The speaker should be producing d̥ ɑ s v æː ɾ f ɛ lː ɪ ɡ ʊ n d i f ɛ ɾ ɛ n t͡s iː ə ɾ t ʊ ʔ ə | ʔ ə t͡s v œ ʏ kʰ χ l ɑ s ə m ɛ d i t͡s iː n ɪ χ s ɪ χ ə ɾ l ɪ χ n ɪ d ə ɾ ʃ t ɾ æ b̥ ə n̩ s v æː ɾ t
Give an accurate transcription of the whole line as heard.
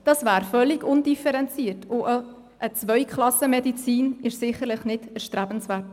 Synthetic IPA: d̥ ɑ s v æː ɾ f œ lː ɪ ɡ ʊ n d i f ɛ ɾ ɛ n t͡s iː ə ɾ t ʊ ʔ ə | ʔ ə t͡s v œ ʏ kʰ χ l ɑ s ə m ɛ d i t͡s iː n ɪ ʃ s ɪ χ ə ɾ l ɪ χ n ɪ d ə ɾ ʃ t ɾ æ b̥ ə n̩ s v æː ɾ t